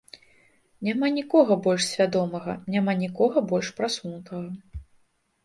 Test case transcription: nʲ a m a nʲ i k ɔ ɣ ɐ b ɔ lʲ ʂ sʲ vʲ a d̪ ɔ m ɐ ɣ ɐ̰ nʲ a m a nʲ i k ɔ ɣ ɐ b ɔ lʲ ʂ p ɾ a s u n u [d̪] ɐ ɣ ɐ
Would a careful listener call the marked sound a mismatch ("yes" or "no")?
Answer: yes